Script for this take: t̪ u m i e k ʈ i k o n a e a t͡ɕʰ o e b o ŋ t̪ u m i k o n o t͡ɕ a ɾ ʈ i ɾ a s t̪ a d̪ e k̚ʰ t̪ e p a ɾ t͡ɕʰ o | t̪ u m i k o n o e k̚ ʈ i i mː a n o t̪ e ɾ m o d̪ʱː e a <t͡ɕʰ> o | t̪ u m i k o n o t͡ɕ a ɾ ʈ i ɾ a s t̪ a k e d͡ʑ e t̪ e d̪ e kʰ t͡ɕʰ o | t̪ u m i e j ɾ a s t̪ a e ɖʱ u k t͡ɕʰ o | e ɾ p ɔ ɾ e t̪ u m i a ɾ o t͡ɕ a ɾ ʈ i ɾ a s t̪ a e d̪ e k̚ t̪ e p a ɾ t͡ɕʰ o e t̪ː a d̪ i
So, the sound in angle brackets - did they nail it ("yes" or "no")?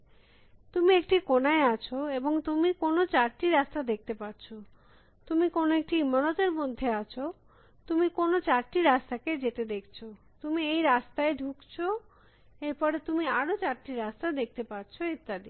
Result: yes